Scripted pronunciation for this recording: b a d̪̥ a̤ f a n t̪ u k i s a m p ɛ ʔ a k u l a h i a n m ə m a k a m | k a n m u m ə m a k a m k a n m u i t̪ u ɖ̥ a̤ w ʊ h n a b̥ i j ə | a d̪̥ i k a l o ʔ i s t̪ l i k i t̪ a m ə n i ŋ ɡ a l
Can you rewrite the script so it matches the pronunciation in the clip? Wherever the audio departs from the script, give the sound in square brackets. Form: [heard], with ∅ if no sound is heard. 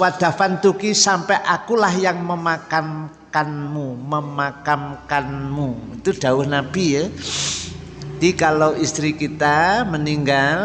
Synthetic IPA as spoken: [w] a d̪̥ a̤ f a n t̪ u k i s a m p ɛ ʔ a k u l a h [j] a [ŋ] m ə m a k a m | k a n m u m ə m a k a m k a n m u i t̪ u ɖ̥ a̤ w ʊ h n a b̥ i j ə | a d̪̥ i k a l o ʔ i s t̪ [ɾ] i k i t̪ a m ə n i ŋ ɡ a l

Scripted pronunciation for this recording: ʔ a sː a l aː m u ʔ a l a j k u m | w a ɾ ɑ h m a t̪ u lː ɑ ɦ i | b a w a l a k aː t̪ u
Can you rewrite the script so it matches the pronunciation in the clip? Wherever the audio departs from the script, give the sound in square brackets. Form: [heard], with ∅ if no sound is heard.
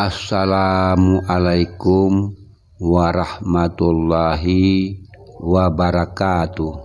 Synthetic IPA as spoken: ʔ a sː a l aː m u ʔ a l a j k u m | w a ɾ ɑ h m a t̪ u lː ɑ ɦ i | [w] a [b] a [ɾ] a k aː t̪ u

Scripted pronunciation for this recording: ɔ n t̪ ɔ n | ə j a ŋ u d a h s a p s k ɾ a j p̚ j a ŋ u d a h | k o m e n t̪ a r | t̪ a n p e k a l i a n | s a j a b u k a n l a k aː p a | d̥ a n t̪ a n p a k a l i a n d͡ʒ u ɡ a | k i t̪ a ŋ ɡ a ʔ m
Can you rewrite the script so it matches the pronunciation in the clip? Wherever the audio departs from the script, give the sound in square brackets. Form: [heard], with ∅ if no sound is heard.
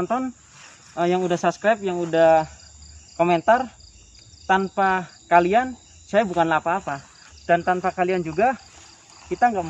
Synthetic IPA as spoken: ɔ n t̪ ɔ n | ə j a ŋ u d a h s a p s k ɾ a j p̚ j a ŋ u d a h | k o m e n t̪ a r | t̪ a n p [a] k a l i a n | s a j a b u k a n l a [p] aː p a | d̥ a n t̪ a n p a k a l i a n d͡ʒ u ɡ a | k i t̪ a ŋ ɡ a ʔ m

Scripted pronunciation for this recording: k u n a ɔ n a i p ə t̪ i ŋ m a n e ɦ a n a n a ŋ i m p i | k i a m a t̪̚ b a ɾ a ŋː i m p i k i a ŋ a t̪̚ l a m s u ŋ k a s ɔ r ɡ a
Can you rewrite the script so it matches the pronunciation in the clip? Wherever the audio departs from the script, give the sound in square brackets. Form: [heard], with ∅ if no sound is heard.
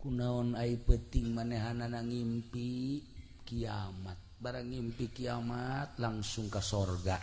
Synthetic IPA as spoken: k u n a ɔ n a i p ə t̪ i ŋ m a n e ɦ a n a n a ŋ i m p i | k i a m a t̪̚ b a ɾ a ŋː i m p i k i a [m] a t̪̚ l a [ŋ] s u ŋ k a s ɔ r ɡ a

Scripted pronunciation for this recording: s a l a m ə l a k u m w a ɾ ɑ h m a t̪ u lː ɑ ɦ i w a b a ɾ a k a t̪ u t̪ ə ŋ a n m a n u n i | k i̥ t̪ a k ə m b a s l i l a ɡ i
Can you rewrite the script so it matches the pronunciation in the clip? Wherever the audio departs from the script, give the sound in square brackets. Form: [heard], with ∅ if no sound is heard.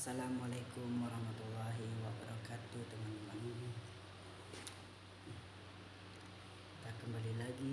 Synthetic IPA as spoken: s a l a m [a] l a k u m w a ɾ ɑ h m a t̪ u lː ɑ ɦ i w a b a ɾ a k a t̪ u t̪ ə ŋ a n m a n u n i | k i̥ t̪ a k ə m b a [∅] l i l a ɡ i

